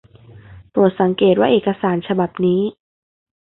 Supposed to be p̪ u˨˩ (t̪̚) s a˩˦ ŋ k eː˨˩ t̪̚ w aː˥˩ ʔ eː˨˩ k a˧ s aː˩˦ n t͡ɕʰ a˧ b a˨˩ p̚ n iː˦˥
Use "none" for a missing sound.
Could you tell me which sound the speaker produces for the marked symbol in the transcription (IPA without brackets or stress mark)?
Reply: t̪̚